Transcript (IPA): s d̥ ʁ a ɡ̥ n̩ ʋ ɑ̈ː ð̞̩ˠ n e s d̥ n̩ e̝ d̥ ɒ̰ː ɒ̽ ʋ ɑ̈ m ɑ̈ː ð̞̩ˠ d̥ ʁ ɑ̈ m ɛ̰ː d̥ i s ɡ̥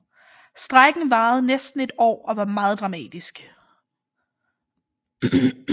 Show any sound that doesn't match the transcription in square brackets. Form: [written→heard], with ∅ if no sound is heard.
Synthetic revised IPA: s d̥ ʁ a ɡ̥ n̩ ʋ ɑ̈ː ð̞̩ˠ n e s d̥ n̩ e̝ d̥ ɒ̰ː ɒ̽ ʋ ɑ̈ m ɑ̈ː ð̞̩ˠ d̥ ʁ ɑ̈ m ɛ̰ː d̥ i s ɡ̥